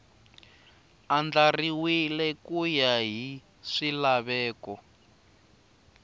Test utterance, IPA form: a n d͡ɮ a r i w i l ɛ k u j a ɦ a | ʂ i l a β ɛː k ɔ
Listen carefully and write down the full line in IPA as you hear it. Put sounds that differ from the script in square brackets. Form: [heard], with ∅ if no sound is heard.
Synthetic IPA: a n d͡ɮ a r i w i l ɛ k u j a ɦ [i] | ʂ i l a β ɛː k ɔ